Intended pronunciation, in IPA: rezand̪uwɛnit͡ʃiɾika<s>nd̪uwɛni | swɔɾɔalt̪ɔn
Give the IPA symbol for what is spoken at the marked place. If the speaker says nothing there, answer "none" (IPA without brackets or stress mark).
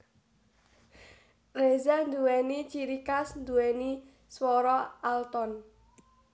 s